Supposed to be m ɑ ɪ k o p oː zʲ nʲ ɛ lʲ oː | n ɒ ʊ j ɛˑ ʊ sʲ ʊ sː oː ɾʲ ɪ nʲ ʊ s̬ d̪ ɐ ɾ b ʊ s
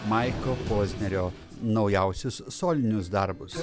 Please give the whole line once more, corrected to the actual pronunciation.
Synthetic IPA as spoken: m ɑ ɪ k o p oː zʲ nʲ ɛ ɾʲ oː | n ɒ ʊ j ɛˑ ʊ sʲ ʊ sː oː lʲ ɪ nʲ ʊ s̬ d̪ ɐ ɾ b ʊ s